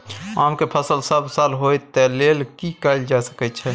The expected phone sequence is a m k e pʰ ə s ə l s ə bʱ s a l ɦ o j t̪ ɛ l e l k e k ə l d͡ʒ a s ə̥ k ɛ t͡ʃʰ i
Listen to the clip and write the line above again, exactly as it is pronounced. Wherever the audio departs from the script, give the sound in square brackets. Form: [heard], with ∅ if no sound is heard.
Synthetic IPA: a m k e pʰ ə s ə l s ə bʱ s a l ɦ o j t̪ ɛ l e l k [i] k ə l d͡ʒ a s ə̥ k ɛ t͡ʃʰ [ɛ]

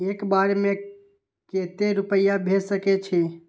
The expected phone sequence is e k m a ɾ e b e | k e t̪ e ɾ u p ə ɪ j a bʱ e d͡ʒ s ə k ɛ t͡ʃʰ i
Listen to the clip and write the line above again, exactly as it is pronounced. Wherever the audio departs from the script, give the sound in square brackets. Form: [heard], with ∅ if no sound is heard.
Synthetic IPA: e k [b] a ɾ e [m] e | k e t̪ e ɾ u p ə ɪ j a bʱ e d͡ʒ s ə k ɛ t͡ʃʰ i

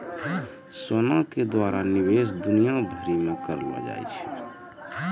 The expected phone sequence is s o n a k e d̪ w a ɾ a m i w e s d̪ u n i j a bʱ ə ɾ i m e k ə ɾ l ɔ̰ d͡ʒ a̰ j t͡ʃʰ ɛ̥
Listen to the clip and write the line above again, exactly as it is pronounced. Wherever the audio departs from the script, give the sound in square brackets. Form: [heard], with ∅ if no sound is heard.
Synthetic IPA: s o n a k e d̪ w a ɾ a [n] i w e s d̪ u n i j a bʱ ə ɾ i m e k ə ɾ l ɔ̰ d͡ʒ a̰ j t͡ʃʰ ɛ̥

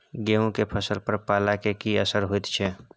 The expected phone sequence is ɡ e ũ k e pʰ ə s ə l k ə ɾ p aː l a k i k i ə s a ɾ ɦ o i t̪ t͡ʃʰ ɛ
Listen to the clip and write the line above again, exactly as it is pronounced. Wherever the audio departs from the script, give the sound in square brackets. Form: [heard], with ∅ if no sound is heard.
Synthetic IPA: ɡ e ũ k e pʰ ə s ə l [p] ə ɾ p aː l a k [e] k i ə s [ə] ɾ ɦ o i t̪ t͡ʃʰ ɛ

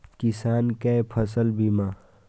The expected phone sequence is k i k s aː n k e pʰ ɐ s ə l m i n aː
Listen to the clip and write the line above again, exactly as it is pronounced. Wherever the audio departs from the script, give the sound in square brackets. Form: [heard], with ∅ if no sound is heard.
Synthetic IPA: k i [∅] s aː n k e pʰ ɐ s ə l [b] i [m] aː

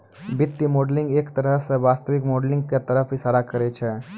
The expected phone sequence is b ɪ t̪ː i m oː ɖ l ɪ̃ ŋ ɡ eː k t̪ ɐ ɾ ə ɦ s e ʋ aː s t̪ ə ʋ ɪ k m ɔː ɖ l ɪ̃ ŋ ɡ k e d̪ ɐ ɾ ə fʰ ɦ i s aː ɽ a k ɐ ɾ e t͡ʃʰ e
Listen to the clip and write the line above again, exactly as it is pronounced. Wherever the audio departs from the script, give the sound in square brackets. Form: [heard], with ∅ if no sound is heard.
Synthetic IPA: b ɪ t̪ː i m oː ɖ l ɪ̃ ŋ ɡ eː k t̪ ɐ ɾ ə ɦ s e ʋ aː s t̪ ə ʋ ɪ k m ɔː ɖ l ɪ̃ ŋ ɡ k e [t̪] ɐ ɾ ə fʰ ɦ i s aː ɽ a k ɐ ɾ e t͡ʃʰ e

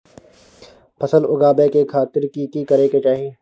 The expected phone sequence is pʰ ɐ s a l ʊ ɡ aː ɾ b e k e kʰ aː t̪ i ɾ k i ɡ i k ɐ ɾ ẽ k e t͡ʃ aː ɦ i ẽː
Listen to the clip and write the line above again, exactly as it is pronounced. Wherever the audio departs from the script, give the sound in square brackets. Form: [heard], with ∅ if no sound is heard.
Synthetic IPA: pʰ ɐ s [ə] l ʊ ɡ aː [∅] b e k e kʰ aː t̪ [ɪ] ɾ k i [k] i k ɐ ɾ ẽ k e t͡ʃ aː ɦ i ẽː

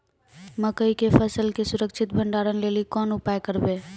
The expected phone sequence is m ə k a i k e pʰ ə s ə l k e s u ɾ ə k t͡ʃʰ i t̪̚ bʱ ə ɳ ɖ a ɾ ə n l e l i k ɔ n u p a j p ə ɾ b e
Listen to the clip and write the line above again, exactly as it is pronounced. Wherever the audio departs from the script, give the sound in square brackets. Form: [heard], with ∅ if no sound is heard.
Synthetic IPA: m ə k [ə] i k e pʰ ə s ə l k e s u ɾ ə k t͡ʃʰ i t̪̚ bʱ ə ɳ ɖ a ɾ ə n l e l i k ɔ n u p a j [k] ə ɾ b e

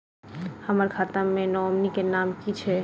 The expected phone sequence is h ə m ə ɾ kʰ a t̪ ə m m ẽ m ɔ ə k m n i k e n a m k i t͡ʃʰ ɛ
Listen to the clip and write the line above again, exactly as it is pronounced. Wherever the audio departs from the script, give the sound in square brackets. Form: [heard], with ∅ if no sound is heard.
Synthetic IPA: h ə m ə ɾ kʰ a t̪ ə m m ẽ [n] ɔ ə [∅] m n i k e n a m k i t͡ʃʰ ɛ

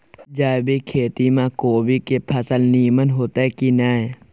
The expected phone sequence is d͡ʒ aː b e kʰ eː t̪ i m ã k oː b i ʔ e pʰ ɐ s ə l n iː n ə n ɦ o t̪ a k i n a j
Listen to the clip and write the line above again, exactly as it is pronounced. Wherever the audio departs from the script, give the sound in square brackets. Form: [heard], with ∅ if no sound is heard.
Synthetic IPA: d͡ʒ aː b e kʰ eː t̪ i m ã k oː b i [k] e pʰ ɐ s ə l n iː [m] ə n ɦ o t̪ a k i n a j

